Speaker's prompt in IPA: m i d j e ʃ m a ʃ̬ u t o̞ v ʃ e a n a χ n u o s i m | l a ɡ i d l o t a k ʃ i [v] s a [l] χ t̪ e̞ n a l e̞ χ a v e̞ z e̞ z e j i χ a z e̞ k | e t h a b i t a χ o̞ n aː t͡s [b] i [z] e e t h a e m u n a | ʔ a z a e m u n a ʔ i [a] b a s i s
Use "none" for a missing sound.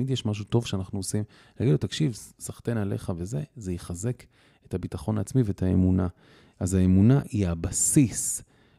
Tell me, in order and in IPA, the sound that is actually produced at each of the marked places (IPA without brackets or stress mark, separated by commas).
v, none, m, v, a